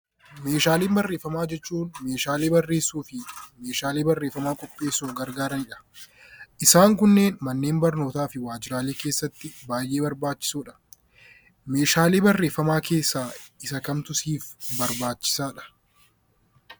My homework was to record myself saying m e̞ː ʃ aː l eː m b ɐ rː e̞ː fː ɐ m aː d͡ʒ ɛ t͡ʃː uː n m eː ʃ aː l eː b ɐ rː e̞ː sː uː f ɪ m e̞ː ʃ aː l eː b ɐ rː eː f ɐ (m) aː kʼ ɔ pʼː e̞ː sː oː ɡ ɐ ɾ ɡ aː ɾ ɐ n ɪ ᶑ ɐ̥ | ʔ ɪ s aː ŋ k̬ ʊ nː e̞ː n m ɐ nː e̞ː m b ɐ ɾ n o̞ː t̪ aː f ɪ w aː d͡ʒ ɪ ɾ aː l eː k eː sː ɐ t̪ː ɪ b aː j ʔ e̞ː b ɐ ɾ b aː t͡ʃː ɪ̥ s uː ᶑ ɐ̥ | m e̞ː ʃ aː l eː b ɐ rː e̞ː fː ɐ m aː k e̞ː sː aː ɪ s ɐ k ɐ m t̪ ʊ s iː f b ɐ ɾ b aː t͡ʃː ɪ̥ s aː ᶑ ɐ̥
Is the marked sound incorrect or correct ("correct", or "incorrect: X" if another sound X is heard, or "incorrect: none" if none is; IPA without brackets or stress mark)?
correct